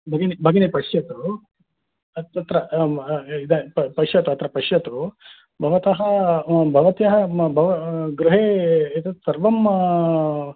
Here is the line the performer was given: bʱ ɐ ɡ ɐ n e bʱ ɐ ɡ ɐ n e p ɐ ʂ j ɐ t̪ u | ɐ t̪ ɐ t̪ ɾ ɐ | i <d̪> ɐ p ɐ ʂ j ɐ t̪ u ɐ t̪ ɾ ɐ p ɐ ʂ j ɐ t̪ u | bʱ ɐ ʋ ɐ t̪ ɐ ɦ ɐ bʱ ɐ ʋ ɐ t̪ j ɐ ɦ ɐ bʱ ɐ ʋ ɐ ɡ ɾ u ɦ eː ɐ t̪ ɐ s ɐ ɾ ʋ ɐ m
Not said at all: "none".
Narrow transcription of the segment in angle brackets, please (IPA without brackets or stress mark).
d̪